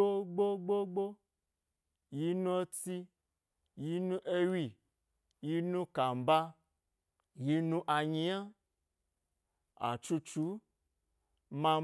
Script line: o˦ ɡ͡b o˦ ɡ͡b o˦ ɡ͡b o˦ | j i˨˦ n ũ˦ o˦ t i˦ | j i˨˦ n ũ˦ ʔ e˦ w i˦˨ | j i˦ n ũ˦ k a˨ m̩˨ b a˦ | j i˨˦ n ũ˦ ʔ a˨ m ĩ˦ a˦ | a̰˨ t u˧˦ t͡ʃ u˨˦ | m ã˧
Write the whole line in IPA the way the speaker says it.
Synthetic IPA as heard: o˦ ɡ͡b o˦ ɡ͡b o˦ ɡ͡b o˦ | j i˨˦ n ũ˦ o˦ t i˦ | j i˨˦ n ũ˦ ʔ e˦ w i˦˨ | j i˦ n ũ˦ k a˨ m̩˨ b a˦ | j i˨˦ n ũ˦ ʔ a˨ ɲ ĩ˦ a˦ | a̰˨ t͡ʃ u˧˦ t͡ʃ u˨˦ | m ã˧